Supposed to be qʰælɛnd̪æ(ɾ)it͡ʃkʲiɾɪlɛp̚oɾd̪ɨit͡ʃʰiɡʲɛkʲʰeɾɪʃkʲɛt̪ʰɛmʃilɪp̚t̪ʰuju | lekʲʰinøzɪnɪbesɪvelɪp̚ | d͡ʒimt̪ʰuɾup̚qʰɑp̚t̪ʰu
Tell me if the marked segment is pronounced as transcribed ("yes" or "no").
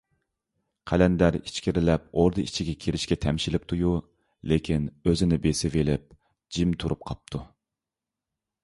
yes